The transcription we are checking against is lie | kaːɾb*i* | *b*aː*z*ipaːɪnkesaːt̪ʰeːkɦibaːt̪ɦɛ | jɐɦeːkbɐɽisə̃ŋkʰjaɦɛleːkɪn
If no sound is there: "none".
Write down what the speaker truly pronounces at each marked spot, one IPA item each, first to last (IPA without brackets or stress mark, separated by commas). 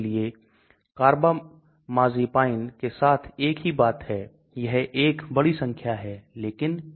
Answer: a, m, z